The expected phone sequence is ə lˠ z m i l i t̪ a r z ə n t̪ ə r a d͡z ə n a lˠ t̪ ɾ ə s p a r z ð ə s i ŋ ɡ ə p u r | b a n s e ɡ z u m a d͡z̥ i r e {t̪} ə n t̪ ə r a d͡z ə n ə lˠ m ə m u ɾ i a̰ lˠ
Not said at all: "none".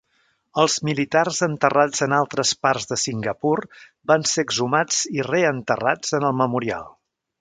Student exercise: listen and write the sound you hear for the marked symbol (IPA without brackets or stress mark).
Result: none